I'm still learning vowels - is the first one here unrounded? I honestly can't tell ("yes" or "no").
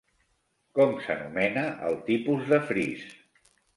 no